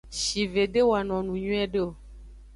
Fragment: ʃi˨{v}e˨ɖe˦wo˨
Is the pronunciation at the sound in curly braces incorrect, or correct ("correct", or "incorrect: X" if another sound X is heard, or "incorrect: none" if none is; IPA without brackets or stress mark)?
correct